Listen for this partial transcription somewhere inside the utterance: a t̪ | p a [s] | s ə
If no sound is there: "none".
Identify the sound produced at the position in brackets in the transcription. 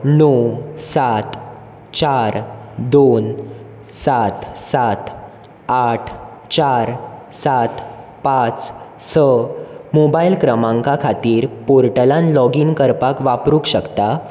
t͡s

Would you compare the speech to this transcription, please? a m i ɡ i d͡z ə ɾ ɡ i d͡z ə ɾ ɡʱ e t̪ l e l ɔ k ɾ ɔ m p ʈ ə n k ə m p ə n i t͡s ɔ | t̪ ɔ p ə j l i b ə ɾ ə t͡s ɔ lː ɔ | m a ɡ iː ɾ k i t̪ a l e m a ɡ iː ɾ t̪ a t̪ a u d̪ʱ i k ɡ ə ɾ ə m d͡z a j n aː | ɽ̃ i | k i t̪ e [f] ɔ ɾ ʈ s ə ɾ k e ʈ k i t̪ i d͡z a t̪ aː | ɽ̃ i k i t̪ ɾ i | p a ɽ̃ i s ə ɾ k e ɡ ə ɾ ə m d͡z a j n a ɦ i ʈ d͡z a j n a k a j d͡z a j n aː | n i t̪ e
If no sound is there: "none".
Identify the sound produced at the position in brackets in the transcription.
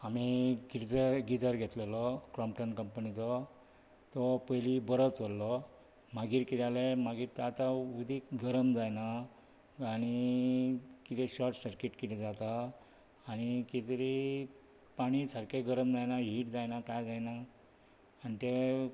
ɕ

